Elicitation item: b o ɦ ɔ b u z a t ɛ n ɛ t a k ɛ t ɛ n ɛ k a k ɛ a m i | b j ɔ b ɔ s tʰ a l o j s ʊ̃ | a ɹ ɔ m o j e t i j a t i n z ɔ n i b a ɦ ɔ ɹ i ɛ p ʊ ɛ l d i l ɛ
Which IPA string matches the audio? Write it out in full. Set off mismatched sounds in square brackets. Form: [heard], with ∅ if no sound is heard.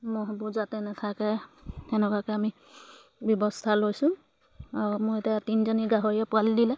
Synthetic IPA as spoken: [m] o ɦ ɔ b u z a t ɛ n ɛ [tʰ] a k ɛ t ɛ n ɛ k a k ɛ a m i | b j ɔ b ɔ s tʰ a l o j s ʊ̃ | a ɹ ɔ m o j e t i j a t i n z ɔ n i [ɡ] a ɦ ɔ ɹ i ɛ p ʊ [a] l d i l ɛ